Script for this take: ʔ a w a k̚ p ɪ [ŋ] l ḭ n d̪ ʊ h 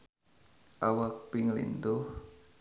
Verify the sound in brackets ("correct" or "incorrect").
correct